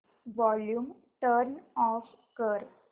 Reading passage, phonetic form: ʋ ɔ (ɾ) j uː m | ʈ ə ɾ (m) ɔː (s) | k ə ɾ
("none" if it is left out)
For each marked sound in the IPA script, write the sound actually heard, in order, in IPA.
l, n, f

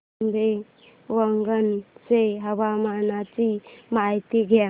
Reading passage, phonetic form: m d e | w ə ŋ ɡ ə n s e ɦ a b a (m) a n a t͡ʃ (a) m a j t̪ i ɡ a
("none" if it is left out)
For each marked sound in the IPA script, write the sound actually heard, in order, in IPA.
m, i

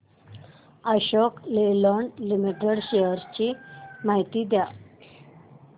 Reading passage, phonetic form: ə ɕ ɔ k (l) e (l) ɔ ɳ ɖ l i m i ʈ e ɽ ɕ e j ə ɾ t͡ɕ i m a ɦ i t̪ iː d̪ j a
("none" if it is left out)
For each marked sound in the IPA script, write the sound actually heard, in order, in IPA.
l, l

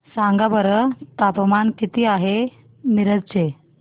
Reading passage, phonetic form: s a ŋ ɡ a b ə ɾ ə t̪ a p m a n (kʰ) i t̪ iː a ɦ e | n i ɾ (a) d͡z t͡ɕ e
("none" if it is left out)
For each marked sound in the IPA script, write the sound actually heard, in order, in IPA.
k, ə

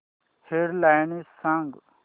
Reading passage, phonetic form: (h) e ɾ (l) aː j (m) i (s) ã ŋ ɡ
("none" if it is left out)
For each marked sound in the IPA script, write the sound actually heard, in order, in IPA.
h, l, n, s

